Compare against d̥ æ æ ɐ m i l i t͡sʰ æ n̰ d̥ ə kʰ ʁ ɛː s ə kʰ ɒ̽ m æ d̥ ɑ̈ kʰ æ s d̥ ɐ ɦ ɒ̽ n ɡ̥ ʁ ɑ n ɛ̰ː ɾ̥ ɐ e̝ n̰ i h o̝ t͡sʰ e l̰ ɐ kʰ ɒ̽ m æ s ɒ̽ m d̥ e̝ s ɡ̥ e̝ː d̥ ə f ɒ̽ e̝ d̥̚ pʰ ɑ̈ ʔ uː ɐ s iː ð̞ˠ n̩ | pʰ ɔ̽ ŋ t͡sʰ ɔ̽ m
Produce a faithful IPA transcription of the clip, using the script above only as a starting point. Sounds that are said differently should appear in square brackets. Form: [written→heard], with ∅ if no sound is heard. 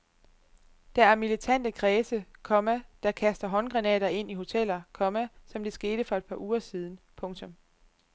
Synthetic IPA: d̥ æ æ ɐ m i l i t͡sʰ æ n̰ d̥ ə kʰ ʁ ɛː s ə kʰ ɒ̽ m æ d̥ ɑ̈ kʰ æ s d̥ ɐ ɦ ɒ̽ n ɡ̥ ʁ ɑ n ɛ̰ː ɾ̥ ɐ e̝ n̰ i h o̝ t͡sʰ e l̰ ɐ kʰ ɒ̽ m æ s ɒ̽ m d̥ e̝ s ɡ̥ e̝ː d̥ ə f ɒ̽ e̝ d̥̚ pʰ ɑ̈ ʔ uː ɐ s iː ð̞ˠ n̩ | pʰ ɔ̽ ŋ t͡sʰ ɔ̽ m